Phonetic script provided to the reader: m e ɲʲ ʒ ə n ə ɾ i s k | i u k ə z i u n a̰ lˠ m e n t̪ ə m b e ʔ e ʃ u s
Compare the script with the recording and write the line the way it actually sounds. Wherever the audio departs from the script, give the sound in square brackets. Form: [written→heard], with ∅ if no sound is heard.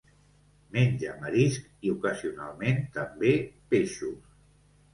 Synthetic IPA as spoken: m e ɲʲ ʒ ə [n→m] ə ɾ i s k | i u k ə z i u n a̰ lˠ m e n t̪ ə m b e [ʔ→p] e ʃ u s